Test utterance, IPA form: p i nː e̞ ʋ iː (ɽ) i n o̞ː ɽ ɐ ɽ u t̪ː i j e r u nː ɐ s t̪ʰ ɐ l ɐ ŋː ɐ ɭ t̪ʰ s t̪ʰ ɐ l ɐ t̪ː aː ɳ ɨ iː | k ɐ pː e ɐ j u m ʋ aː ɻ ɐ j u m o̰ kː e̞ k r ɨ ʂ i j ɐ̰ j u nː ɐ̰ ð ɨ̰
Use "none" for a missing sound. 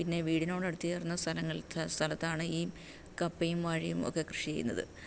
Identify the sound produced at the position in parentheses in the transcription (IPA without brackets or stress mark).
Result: ɽ